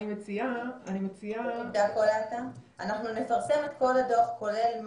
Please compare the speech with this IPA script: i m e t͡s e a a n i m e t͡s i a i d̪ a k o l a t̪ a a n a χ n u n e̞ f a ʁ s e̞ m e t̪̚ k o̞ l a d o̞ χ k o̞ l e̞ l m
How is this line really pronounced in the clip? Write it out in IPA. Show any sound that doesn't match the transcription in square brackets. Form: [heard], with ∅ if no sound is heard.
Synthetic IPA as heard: i m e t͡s [i] a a n i m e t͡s i a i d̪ a k o l a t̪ a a n a χ n u n e̞ f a ʁ s e̞ m e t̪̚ k o̞ l a d o̞ χ k o̞ l e̞ l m